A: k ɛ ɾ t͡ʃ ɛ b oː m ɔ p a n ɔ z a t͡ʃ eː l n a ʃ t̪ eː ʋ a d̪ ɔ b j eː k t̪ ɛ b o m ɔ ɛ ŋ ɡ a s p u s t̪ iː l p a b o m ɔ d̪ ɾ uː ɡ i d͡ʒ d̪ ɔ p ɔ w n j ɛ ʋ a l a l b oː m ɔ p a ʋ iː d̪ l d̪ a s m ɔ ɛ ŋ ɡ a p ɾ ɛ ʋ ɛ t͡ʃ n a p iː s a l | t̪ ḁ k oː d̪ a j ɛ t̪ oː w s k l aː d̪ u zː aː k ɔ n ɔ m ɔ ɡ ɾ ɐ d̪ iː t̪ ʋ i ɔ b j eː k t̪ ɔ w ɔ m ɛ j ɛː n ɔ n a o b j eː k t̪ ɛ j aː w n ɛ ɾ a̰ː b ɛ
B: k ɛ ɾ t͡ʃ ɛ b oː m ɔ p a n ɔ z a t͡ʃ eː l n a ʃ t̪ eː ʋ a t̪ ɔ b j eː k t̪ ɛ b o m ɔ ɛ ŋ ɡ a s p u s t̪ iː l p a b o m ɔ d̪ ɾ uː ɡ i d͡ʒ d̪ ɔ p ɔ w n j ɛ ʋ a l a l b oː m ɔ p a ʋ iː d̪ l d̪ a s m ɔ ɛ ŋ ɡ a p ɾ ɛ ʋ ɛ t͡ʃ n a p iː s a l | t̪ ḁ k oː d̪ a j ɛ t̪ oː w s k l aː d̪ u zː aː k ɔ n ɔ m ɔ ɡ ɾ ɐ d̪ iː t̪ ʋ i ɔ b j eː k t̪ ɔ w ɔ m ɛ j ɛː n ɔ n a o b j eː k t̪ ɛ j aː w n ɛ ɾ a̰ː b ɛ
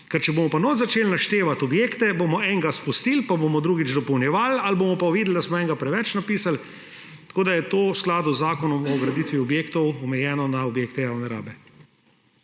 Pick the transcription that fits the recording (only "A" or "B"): B